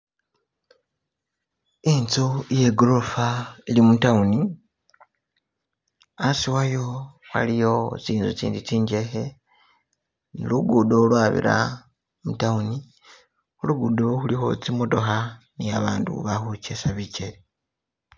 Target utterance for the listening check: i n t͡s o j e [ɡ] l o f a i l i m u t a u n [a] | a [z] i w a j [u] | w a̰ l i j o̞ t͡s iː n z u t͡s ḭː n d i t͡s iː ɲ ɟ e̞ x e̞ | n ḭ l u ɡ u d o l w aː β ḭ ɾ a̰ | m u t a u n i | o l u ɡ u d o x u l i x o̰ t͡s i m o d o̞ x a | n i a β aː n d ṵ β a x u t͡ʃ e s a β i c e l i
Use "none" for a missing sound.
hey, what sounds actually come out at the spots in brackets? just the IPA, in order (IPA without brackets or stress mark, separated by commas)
ɡ, i, s, o